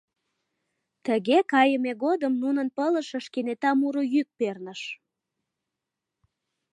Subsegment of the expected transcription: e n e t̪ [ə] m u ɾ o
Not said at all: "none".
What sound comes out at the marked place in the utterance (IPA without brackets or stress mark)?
ɑ